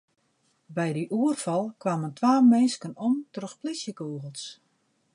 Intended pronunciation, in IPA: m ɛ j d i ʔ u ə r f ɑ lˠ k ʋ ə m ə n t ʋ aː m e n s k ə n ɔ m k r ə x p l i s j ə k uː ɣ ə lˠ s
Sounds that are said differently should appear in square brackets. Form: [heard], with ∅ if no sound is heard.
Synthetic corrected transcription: [b] ɛ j d i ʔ u ə r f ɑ lˠ k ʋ [a] m ə n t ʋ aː m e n s k ə n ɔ m [t] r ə x p l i s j ə k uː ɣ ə lˠ s